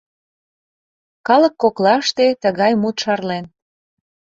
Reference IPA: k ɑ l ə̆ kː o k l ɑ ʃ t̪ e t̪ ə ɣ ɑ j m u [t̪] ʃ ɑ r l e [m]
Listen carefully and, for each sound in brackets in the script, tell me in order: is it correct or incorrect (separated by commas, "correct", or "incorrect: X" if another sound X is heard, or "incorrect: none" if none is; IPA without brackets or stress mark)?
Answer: correct, incorrect: n